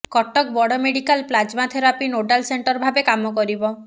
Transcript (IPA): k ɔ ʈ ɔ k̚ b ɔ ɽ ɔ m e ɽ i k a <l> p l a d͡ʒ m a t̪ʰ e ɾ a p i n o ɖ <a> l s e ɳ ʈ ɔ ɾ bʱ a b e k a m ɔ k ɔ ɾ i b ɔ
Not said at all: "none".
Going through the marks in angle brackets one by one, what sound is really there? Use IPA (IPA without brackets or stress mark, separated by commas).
l, a